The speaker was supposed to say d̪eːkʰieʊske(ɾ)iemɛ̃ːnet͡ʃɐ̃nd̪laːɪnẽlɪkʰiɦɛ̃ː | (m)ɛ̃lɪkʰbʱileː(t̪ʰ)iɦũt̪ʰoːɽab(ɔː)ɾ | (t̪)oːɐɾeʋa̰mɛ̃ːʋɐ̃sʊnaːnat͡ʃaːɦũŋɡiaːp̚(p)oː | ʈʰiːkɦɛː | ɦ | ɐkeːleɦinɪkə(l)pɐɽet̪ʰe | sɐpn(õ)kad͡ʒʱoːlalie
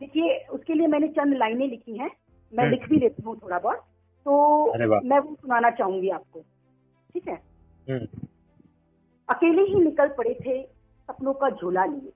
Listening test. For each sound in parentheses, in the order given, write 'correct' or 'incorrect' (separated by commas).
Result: incorrect, correct, incorrect, correct, correct, incorrect, correct, correct